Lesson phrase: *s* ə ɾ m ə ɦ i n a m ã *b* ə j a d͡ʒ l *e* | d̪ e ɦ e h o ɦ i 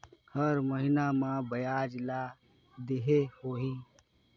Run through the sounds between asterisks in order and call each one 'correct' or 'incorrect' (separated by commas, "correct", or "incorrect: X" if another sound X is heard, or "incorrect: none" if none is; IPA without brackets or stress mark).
incorrect: h, correct, incorrect: a